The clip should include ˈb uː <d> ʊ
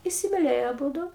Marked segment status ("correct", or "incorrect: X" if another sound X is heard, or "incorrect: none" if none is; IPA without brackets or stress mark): correct